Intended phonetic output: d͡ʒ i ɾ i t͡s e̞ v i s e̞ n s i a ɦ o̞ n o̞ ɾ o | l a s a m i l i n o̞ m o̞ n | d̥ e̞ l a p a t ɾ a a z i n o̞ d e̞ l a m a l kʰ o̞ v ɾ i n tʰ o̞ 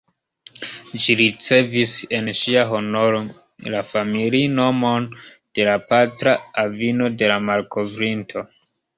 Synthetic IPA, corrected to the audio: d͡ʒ i ɾ i t͡s e̞ v i s e̞ n ʃ i a ɦ o̞ n o̞ ɾ o | l a f a m i l i n o̞ m o̞ n | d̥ e̞ l a p a t ɾ a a v i n o̞ d e̞ l a m a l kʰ o̞ v ɾ i n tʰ o̞